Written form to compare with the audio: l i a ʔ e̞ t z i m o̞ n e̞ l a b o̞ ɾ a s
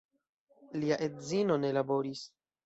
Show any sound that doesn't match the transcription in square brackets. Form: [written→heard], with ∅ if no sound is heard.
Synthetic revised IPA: l i a ʔ e̞ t z i [m→n] o̞ n e̞ l a b o̞ ɾ [a→i] s